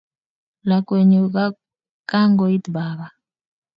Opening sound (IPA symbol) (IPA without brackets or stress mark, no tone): l